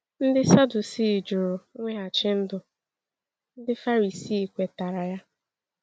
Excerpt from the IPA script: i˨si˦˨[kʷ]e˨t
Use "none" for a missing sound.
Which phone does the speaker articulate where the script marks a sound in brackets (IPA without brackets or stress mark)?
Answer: kʷ